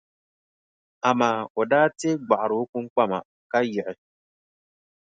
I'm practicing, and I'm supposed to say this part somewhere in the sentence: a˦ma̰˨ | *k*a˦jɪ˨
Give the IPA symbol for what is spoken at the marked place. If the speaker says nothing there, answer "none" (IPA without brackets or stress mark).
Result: k